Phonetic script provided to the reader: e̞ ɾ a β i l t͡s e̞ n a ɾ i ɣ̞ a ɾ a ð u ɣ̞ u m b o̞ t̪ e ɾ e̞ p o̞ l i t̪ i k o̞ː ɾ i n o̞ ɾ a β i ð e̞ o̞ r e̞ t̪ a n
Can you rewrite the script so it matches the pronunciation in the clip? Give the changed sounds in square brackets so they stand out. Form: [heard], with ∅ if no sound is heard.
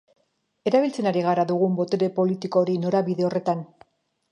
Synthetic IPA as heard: e̞ ɾ a β i l t͡s e̞ n a ɾ i ɣ̞ a ɾ a ð u ɣ̞ u m b o̞ t̪ e ɾ e̞ p o̞ l i t̪ i k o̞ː ɾ i n o̞ ɾ a β i ð e̞ o̞ r e̞ t̪ a n